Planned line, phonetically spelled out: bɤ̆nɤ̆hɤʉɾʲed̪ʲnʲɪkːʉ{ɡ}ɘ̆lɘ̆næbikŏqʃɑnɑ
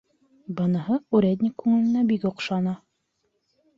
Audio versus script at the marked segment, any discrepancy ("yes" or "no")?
yes